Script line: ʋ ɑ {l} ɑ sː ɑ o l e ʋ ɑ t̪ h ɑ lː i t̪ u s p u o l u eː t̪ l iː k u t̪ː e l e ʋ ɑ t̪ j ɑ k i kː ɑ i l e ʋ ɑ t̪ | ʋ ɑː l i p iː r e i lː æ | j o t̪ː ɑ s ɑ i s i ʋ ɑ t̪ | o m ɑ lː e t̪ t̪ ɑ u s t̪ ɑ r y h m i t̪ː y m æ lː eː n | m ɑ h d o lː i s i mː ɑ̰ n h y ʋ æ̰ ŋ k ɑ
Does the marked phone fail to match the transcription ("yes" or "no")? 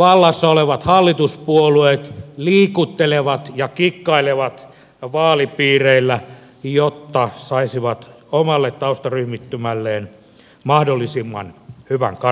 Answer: yes